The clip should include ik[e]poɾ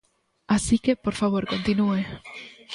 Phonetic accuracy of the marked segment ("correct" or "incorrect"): correct